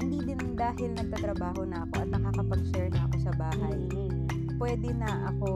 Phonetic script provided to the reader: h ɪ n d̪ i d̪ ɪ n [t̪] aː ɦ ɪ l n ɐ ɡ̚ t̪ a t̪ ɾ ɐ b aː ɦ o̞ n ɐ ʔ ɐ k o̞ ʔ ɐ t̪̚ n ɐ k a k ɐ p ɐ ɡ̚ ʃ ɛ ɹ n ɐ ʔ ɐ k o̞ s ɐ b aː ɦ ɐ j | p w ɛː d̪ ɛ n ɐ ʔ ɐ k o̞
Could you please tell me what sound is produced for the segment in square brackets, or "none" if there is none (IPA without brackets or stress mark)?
d̪